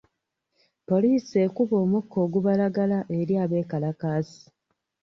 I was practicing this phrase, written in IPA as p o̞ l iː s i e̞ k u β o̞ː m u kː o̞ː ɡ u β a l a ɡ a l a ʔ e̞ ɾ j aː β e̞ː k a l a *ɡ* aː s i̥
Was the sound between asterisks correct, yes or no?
no